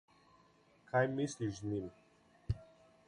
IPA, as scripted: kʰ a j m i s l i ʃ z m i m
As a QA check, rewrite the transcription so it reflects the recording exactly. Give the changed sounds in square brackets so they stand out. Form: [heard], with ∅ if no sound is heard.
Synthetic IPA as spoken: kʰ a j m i s l i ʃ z [n] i m